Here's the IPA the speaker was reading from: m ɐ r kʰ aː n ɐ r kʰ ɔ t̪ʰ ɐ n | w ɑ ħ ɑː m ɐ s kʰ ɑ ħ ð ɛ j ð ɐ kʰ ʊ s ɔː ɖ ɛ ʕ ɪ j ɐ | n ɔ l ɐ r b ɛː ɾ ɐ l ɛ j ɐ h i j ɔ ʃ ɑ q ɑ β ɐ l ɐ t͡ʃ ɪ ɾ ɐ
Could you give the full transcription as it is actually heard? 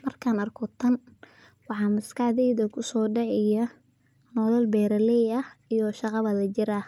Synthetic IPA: m ɐ r kʰ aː n ɐ r kʰ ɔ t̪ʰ ɐ n | w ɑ ħ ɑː m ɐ s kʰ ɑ ħ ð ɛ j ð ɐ kʰ ʊ s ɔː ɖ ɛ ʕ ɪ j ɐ | n ɔ l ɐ l b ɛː ɾ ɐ l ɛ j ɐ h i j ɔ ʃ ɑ q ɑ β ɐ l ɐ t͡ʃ ɪ ɾ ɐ

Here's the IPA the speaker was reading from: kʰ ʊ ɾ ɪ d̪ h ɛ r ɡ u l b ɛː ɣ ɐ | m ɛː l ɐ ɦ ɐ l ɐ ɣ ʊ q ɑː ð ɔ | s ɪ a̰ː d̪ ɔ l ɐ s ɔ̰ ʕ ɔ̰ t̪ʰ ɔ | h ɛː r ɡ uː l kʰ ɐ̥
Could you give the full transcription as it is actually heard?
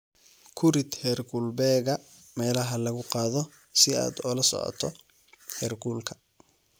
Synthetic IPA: kʰ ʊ ɾ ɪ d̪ h ɛ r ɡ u l b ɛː ɣ ɐ | m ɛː l ɐ ɦ ɐ l ɐ ɣ ʊ q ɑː ð ɔ | s ɪ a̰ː d̪ ɔ l ɐ s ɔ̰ ʕ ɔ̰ t̪ʰ ɔ | h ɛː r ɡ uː l kʰ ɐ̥

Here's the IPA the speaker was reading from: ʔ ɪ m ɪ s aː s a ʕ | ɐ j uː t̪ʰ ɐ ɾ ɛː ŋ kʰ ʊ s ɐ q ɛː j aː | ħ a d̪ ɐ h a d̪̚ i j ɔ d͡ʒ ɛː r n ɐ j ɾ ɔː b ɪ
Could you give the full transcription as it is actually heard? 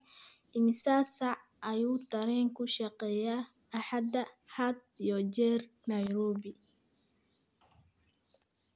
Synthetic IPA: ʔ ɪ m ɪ s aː s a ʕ | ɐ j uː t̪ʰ ɐ ɾ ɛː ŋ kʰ ʊ ʃ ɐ q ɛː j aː | ħ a d̪ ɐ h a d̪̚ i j ɔ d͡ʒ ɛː r n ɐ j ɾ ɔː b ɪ

